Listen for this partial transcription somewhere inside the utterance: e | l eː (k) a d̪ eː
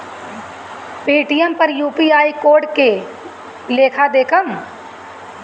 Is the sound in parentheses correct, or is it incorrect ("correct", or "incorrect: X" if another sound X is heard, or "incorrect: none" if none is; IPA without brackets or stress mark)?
incorrect: kʰ